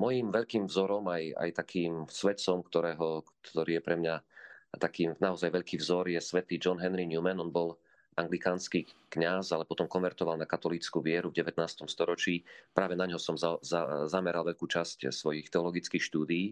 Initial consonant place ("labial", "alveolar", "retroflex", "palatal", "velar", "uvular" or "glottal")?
labial